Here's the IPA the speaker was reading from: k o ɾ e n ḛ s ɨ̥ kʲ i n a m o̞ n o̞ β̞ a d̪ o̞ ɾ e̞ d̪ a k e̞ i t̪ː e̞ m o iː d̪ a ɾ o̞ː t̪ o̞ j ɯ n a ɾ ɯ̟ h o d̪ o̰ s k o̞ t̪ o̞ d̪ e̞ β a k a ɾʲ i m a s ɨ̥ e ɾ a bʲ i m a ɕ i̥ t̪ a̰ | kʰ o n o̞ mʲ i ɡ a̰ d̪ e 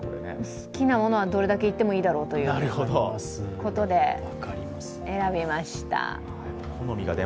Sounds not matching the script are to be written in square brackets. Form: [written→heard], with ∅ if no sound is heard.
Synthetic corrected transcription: k o ɾ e n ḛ s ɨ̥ kʲ i n a m o̞ n o̞ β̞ a d̪ o̞ ɾ e̞ d̪ a k e̞ i t̪ː e̞ m o iː d̪ a ɾ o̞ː t̪ o̞ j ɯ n a ɾ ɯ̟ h o d̪ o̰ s k o̞ t̪ o̞ d̪ e̞ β a k a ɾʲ i m a s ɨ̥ e ɾ a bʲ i m a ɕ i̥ t̪ a̰ | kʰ o n o̞ mʲ i ɡ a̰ d̪ e